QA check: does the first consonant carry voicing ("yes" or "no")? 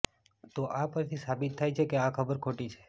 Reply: no